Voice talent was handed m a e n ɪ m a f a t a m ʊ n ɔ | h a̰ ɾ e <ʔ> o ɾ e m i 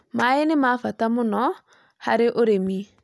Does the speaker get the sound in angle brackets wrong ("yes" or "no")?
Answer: no